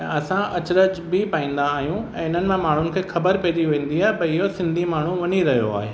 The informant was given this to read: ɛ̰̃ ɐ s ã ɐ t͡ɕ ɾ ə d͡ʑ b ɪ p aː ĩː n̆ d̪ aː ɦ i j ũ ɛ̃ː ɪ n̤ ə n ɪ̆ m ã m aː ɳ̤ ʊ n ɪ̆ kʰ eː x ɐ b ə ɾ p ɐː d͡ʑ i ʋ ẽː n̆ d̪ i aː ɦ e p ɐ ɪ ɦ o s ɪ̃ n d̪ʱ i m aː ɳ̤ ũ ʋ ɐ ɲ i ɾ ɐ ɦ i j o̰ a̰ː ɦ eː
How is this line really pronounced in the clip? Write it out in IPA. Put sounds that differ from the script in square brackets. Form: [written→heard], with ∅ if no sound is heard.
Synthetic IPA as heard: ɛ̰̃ ɐ s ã ɐ t͡ɕ ɾ ə d͡ʑ b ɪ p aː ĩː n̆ d̪ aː ɦ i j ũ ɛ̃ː ɪ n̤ ə n ɪ̆ m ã m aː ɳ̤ ʊ n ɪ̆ kʰ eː x ɐ b ə ɾ p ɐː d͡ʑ i ʋ ẽː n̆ d̪ i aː ɦ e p ɐ ɪ ɦ o s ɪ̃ n d̪ʱ i m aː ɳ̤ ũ ʋ ɐ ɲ i ɾ ɐ ɦ i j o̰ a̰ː ɦ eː

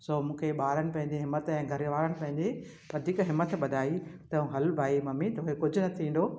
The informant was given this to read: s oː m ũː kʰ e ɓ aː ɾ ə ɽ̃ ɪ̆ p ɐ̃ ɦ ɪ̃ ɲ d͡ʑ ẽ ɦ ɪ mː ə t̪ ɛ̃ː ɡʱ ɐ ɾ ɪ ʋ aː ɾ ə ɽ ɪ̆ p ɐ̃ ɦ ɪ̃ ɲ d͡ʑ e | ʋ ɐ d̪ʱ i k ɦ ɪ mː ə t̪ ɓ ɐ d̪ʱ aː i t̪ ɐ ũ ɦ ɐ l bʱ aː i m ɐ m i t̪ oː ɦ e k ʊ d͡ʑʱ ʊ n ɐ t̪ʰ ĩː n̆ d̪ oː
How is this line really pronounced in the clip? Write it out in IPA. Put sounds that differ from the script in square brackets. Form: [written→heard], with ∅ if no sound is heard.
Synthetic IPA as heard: s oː m ũː kʰ e ɓ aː ɾ ə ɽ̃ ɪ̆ p ɐ̃ ɦ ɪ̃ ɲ d͡ʑ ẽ ɦ ɪ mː ə t̪ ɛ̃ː ɡʱ ɐ ɾ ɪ ʋ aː ɾ ə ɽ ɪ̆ p ɐ̃ ɦ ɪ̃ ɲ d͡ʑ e | ʋ ɐ d̪ʱ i k ɦ ɪ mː ə t̪ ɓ ɐ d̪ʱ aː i t̪ ɐ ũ ɦ ɐ l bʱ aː i m ɐ m i t̪ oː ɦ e k ʊ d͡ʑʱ ʊ n ɐ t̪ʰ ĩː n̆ d̪ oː

